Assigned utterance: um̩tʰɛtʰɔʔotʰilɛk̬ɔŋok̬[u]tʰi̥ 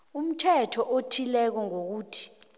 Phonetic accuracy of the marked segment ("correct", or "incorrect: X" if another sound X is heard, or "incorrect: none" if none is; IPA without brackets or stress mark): incorrect: uː